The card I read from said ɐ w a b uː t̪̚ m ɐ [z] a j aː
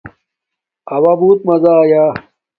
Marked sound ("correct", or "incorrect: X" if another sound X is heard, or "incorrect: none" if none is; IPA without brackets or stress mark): correct